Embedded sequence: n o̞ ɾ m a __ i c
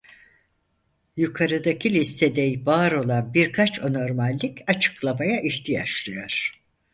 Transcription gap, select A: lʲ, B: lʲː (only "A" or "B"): B